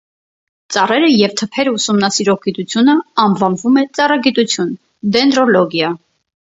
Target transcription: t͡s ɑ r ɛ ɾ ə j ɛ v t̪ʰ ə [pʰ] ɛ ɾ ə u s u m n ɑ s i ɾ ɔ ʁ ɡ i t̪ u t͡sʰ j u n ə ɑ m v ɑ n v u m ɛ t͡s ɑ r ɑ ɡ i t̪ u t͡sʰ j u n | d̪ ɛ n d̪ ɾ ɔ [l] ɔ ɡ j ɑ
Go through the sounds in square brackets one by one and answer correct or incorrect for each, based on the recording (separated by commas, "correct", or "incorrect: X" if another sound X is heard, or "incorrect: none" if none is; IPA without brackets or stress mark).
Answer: correct, correct